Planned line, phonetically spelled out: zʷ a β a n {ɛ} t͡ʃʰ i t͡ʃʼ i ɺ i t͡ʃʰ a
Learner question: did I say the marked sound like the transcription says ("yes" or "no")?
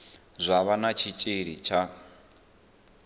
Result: no